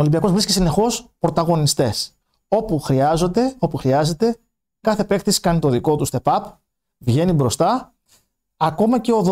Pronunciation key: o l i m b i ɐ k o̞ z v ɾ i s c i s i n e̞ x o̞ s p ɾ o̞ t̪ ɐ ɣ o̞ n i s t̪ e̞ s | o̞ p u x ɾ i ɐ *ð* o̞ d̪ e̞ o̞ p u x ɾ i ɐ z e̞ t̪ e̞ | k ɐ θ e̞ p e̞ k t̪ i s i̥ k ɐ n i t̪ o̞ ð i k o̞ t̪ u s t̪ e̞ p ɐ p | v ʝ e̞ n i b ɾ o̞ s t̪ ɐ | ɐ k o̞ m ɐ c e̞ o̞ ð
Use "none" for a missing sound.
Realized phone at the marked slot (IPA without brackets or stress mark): z